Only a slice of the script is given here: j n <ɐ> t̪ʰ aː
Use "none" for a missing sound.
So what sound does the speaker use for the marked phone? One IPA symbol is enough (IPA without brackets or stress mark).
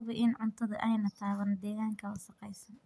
ɐ